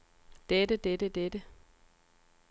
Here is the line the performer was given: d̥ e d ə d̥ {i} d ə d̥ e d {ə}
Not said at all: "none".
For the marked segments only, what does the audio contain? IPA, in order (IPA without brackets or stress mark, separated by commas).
e, ə